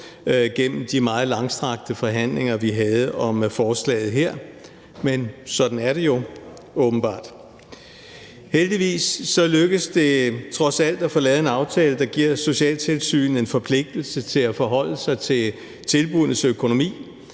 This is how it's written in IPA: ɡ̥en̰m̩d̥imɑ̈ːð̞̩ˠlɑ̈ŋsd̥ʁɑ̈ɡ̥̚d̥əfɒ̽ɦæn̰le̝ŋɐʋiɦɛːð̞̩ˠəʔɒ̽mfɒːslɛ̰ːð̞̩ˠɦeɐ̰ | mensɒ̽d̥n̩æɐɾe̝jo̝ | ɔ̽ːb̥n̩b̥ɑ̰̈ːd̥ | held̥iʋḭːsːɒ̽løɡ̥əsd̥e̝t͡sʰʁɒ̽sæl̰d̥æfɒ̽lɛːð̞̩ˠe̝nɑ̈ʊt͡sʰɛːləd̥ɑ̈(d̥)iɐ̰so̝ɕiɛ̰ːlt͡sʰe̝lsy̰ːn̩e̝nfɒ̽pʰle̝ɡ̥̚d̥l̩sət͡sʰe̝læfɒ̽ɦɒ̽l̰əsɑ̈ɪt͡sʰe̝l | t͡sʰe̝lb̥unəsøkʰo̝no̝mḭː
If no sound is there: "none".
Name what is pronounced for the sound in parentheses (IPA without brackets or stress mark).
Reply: ɡ̥